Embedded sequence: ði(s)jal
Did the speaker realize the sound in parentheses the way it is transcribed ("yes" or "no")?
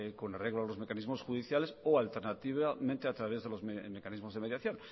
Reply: no